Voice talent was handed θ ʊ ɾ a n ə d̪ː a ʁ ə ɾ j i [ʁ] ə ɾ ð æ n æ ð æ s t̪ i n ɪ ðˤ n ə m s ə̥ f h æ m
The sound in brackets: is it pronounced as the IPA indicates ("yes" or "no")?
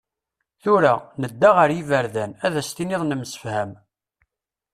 no